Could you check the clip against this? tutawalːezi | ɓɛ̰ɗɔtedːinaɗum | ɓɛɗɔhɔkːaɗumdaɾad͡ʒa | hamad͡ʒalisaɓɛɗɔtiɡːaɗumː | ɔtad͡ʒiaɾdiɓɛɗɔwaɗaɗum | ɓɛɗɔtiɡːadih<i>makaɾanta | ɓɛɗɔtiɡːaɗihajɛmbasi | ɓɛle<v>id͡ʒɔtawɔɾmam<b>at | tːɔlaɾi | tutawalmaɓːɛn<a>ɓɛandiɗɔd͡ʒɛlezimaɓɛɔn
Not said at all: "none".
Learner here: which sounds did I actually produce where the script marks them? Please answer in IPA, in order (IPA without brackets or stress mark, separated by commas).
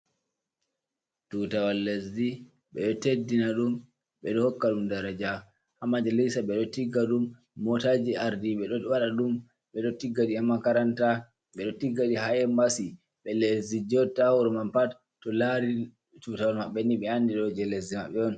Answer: a, z, p, i